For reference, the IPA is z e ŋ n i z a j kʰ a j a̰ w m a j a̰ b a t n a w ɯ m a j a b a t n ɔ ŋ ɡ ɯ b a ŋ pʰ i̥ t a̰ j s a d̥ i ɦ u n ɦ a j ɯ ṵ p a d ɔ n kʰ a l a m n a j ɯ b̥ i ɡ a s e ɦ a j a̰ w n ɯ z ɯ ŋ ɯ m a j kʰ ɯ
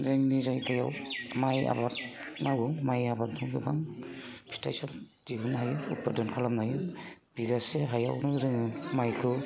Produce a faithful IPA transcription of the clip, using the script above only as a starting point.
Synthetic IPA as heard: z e ŋ n i z a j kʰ a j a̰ w m a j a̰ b a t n a w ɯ m a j a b a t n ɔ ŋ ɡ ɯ b a ŋ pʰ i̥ t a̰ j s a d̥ i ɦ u n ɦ a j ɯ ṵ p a d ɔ n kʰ a l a m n a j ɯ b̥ i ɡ a s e ɦ a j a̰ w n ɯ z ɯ ŋ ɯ m a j kʰ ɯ